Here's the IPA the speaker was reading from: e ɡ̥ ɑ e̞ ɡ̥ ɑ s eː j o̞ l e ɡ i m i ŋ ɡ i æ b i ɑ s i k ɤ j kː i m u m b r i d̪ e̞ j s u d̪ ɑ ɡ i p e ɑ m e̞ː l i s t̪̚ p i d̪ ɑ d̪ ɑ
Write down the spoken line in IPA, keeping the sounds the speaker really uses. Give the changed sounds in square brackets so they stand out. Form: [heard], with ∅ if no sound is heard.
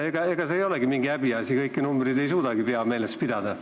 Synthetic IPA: e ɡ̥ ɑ e̞ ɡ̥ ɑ s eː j o̞ l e ɡ i m i ŋ ɡ i æ b i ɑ s i k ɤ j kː i [n] u m b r i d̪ e̞ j s [uː] d̪ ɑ ɡ i p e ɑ m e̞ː l [e] s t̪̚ p i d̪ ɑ d̪ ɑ